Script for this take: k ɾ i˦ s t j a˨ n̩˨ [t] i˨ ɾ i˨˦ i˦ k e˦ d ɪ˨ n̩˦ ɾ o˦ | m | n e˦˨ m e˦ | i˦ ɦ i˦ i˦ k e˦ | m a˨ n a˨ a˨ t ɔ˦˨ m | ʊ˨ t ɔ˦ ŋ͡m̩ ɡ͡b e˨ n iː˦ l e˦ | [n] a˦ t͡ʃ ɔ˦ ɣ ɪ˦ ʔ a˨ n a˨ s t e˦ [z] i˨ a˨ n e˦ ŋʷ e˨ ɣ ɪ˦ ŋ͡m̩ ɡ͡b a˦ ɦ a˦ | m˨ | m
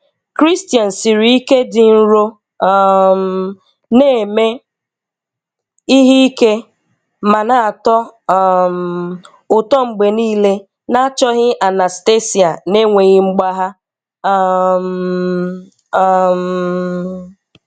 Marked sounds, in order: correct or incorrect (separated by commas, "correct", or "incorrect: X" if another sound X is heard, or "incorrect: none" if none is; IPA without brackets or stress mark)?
incorrect: s, correct, incorrect: s